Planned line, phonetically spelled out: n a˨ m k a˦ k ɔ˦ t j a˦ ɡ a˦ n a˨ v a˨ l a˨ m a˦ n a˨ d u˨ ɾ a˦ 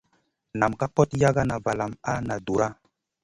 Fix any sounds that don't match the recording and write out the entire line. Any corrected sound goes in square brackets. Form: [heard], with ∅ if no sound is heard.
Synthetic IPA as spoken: n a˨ m k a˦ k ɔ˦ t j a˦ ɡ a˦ n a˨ v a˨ l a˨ m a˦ n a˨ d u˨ ɾ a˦